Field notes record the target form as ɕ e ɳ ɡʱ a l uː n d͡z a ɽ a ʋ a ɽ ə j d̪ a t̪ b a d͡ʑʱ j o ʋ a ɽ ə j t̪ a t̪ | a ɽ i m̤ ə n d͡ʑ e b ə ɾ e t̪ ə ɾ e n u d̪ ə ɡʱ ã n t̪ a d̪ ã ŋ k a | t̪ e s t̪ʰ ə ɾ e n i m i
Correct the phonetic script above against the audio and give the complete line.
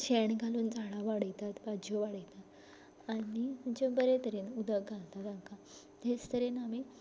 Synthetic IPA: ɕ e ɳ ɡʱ a l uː n d͡z a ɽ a ʋ a ɽ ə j t̪ a t̪ b a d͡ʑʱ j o ʋ a ɽ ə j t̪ a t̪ | a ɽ i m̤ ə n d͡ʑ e b ə ɾ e t̪ ə ɾ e n u d̪ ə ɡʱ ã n t̪ a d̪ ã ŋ k a | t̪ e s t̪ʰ ə ɾ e n a m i

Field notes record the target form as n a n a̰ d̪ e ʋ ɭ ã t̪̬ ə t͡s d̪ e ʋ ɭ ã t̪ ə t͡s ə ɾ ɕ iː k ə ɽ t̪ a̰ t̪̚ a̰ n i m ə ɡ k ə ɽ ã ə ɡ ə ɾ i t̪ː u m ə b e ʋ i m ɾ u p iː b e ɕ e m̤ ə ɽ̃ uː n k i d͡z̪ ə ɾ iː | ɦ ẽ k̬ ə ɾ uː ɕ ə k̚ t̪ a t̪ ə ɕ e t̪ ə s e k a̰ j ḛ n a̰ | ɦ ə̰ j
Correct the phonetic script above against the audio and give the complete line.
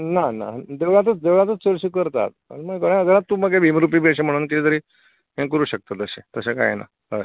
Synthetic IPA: n a n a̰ d̪ e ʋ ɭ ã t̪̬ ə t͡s d̪ e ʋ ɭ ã t̪ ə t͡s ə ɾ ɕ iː k ə ɾ t̪ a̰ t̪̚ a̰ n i m ə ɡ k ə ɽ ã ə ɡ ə ɾ a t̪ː u m ə ɡ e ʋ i m ɾ u p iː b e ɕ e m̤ ə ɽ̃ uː n k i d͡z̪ ə ɾ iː | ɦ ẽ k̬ ə ɾ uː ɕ ə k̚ t̪ a t̪ ə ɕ e t̪ ə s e k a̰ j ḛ n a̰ | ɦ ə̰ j

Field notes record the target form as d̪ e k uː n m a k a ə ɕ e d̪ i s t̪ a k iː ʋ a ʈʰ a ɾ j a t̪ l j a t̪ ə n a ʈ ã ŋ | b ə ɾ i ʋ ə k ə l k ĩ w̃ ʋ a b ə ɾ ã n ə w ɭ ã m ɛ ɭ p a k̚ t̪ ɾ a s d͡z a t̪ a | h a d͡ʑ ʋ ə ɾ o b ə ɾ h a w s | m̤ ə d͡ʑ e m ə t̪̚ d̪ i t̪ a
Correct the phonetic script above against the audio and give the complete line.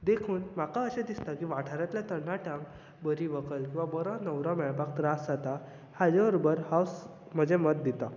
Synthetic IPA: d̪ e kʰ uː n m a k a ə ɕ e d̪ i s t̪ a k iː ʋ a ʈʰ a ɾ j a t̪ l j a t̪ ə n a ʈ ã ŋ | b ə ɾ i ʋ ə k ə l k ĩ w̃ ʋ a b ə ɾ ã n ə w ɾ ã m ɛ ɭ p a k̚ t̪ ɾ a s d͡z a t̪ a | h a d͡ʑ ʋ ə ɾ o b ə ɾ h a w s | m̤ ə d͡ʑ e m ə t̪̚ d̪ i t̪ a

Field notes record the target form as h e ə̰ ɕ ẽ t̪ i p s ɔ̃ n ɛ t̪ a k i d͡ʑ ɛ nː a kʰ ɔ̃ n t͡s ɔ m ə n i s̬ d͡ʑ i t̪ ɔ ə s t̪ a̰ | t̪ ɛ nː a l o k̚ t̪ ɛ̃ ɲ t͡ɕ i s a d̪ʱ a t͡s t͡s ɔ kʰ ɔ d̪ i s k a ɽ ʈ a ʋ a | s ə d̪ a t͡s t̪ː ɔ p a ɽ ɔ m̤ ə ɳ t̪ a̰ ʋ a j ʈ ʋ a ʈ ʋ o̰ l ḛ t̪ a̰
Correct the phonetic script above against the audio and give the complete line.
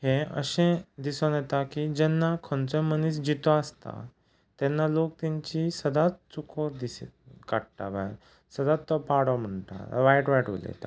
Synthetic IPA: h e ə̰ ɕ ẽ d̪ i s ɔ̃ n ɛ t̪ a k i d͡ʑ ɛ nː a kʰ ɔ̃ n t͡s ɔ m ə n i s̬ d͡ʑ i t̪ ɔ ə s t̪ a̰ | t̪ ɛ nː a l o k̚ t̪ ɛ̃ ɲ t͡ɕ i s ə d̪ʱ a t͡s t͡s u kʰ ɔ d̪ i s k a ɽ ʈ a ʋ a | s ə d̪ a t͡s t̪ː ɔ p a ɽ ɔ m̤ ə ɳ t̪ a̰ ʋ a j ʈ ʋ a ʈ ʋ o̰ l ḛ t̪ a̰

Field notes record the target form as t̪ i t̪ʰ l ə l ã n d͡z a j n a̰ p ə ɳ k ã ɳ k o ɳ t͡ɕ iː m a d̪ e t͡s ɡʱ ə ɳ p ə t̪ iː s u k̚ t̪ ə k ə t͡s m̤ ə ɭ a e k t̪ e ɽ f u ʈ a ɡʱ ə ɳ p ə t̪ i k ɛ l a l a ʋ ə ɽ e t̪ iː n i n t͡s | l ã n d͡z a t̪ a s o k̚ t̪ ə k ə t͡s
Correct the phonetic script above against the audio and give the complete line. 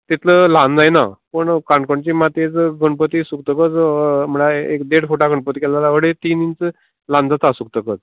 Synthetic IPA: t̪ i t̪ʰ l ə l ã n d͡z a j n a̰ p ə ɳ k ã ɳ k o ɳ t͡ɕ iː m a t̪ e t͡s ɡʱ ə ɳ p ə t̪ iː s u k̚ t̪ ə k ə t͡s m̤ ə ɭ a e k d̪ e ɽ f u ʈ a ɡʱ ə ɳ p ə t̪ i k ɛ l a l a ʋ ə ɽ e t̪ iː n i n t͡s | l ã n d͡z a t̪ a s u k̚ t̪ ə k ə t͡s

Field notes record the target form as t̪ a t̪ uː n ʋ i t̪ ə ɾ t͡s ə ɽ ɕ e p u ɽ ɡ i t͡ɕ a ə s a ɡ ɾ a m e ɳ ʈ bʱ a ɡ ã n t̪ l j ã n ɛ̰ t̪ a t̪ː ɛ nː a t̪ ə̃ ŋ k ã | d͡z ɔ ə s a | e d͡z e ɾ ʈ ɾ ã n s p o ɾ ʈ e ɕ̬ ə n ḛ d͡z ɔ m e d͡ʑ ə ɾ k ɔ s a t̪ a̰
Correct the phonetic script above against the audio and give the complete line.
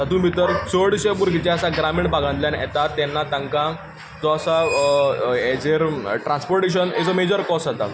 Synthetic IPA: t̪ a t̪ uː n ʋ i t̪ ə ɾ t͡s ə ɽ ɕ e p u ɾ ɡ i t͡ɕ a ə s a ɡ ɾ a m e ɳ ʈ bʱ a ɡ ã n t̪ l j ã n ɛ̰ t̪ a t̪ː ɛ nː a t̪ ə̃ ŋ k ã | d͡z ɔ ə s a | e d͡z e ɾ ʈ ɾ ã n s p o ɾ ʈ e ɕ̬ ə n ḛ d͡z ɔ m e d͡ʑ ə ɾ k ɔ s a t̪ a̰

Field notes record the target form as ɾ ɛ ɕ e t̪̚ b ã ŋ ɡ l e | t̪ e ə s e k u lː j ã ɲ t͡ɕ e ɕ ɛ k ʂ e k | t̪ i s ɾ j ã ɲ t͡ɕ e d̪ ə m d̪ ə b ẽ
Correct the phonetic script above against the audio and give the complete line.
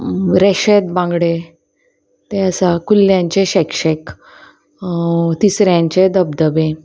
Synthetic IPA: ɾ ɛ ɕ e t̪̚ b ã ŋ ɡ ɽ e | t̪ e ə s a k u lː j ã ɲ t͡ɕ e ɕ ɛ k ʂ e k | t̪ i s ɾ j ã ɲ t͡ɕ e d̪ ə b d̪ ə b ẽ

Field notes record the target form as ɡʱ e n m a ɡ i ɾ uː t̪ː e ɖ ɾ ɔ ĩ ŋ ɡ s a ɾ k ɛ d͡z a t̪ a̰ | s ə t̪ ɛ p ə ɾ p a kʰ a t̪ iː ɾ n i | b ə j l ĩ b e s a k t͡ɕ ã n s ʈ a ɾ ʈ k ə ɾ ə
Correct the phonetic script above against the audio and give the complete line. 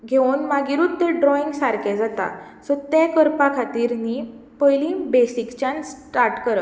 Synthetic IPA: ɡʱ e n m a ɡ i ɾ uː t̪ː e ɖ ɾ ɔ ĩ ŋ ɡ s a ɾ k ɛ d͡z a t̪ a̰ | s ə t̪ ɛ k ə ɾ p a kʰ a t̪ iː ɾ n i | p ə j l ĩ b e s i k t͡ɕ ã n s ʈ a ɾ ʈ k ə ɾ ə

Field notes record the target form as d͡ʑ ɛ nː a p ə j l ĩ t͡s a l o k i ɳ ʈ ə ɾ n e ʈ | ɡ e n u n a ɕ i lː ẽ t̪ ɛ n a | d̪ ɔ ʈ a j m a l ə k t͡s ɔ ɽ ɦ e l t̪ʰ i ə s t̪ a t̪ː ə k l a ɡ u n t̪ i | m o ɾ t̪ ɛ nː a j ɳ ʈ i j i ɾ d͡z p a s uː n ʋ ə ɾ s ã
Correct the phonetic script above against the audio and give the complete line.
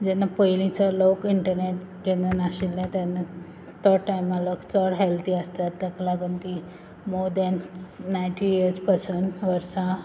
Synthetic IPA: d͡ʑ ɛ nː a p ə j l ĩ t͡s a l o k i ɳ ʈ ə ɾ n e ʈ | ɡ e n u n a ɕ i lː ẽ t̪ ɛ n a | t̪ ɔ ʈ a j m a l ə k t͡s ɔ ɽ ɦ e l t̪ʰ i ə s t̪ a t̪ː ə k l a ɡ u n t̪ i | m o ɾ d̪ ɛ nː a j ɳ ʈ i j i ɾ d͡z p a s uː n ʋ ə ɾ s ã

